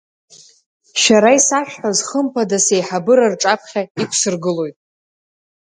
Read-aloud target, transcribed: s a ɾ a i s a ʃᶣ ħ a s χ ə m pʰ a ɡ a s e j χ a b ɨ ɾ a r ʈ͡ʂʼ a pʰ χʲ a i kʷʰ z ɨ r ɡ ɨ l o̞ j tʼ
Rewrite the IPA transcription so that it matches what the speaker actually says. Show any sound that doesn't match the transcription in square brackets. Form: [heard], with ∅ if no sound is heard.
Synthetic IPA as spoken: [ʃ] a ɾ a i s a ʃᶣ ħ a [z] χ ə m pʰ a [d] a s e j [ħ] a b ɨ ɾ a r ʈ͡ʂʼ a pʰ χʲ a i kʷʰ [s] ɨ r ɡ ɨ l o̞ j tʼ